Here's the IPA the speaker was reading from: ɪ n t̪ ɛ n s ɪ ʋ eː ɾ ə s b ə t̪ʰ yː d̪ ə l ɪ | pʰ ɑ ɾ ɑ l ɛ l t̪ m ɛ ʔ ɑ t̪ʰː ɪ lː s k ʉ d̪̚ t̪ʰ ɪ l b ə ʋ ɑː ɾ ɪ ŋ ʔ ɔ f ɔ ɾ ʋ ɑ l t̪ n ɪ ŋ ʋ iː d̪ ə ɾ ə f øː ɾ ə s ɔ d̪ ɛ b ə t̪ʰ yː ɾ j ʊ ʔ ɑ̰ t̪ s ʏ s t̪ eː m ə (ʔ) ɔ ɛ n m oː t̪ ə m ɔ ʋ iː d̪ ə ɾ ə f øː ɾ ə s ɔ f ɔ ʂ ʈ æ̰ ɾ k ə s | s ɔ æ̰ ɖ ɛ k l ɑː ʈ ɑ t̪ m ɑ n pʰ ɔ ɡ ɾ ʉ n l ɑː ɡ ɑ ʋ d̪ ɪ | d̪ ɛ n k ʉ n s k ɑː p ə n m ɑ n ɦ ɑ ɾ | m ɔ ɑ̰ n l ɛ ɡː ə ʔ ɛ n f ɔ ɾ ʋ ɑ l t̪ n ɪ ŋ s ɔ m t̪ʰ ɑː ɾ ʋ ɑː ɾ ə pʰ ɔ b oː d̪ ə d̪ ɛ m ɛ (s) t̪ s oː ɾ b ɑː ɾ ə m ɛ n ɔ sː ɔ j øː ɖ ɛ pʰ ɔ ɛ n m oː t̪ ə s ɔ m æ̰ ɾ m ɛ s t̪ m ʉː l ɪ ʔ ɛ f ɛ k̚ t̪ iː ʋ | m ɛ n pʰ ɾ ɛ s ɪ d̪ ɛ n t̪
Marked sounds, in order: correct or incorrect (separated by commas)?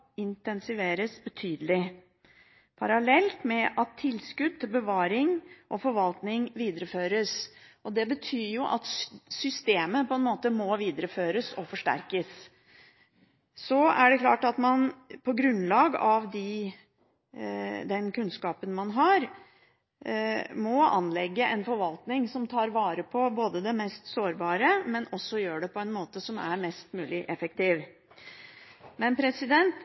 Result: incorrect, correct